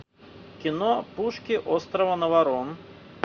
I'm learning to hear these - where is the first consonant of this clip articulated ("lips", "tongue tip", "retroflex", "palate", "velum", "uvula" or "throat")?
velum